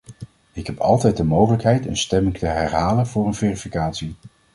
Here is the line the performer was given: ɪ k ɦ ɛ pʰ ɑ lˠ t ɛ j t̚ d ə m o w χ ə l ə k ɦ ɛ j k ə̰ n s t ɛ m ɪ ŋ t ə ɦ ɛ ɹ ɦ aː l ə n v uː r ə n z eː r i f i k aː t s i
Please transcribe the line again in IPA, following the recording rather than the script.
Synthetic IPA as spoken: ɪ k ɦ ɛ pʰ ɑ lˠ t ɛ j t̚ d ə m o w χ ə l ə k ɦ ɛ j t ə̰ n s t ɛ m ɪ ŋ t ə ɦ ɛ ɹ ɦ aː l ə n v ʊː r ə n v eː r i f i k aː t s i